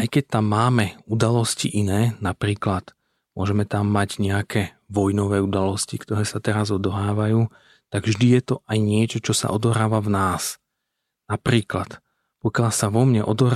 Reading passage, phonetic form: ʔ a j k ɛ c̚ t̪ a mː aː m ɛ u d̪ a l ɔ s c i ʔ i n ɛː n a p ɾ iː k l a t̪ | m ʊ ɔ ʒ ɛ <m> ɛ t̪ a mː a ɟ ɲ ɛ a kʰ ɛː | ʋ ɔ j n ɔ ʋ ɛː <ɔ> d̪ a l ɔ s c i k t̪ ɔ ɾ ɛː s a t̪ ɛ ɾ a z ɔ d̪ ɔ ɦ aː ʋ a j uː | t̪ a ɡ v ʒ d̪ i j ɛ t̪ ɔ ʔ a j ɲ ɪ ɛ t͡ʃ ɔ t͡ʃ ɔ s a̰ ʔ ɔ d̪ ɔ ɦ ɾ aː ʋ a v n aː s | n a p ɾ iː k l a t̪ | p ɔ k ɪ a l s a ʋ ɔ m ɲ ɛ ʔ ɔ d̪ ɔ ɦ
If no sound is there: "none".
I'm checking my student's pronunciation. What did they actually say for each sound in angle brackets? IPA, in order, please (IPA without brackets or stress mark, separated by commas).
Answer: m, u